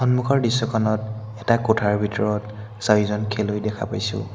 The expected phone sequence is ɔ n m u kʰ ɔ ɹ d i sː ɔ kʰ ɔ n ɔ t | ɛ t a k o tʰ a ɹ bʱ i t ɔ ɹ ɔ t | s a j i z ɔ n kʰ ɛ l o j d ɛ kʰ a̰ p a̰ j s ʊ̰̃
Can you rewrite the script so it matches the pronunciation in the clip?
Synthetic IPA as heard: ɔ n m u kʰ ɔ ɹ d i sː ɔ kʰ ɔ n ɔ t | ɛ t a k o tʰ a ɹ bʱ i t ɔ ɹ ɔ t | s a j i z ɔ n kʰ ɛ l o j d ɛ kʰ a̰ p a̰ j s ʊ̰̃